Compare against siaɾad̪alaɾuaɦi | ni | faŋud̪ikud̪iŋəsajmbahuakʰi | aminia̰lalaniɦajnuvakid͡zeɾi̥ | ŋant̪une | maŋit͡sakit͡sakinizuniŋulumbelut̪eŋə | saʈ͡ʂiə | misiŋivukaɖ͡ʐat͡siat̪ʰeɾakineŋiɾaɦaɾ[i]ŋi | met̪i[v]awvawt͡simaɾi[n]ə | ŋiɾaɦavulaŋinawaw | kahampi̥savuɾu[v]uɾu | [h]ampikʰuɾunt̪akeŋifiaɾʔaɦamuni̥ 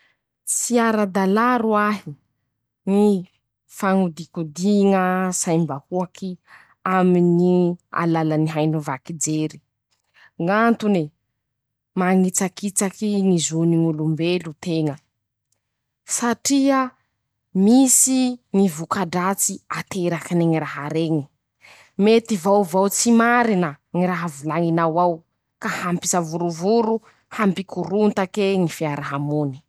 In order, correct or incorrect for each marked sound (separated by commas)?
incorrect, correct, correct, correct, correct